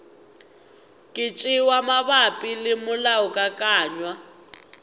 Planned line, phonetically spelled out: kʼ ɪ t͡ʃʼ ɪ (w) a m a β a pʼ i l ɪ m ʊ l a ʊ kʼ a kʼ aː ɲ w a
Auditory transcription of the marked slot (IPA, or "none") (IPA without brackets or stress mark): w